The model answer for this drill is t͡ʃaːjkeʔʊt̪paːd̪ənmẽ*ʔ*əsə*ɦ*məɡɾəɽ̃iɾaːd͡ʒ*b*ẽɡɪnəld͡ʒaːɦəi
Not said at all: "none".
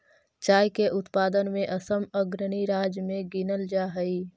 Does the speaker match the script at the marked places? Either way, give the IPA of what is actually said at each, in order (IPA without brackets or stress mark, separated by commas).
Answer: ʔ, none, m